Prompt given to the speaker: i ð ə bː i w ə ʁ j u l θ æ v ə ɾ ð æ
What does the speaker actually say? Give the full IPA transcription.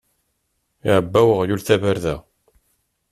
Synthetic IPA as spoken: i ʕ ə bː æ w ə ʁ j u l θ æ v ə ɾ ð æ

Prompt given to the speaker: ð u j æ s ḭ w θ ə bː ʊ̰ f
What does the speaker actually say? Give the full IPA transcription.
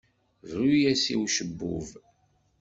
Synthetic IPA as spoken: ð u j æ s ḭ w ʃ ə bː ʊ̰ v

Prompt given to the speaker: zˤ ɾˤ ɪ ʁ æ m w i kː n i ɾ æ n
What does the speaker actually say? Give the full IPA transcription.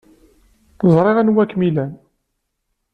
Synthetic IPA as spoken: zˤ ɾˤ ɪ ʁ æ n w æ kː m i l æ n

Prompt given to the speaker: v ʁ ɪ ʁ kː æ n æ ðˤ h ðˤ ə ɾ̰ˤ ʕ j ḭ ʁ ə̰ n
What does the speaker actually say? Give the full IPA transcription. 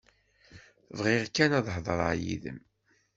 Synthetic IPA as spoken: v ʁ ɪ ʁ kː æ n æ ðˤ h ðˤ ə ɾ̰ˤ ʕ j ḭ ð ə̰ m

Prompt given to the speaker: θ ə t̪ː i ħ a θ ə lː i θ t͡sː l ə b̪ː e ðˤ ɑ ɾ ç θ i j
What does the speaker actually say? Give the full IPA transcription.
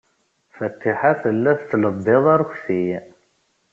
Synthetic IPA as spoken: f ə t̪ː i ħ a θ ə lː æ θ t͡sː l ə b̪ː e ðˤ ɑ ɾ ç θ i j

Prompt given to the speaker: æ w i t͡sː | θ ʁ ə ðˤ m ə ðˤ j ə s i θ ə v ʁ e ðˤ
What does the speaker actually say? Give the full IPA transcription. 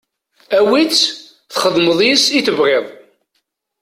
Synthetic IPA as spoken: æ w i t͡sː | θ χ ə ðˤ m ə ðˤ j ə s i θ ə v ʁ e ðˤ

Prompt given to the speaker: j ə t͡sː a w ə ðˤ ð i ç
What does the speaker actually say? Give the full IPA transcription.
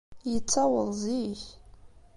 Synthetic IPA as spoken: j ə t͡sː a w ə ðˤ z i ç

